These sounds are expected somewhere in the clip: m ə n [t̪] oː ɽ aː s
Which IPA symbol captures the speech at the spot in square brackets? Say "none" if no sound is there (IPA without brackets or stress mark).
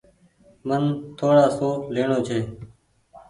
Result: t̪ʰ